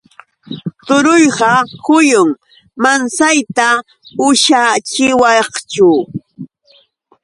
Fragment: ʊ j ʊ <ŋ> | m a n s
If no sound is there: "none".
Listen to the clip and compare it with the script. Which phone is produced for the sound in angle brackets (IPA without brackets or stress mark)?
ŋ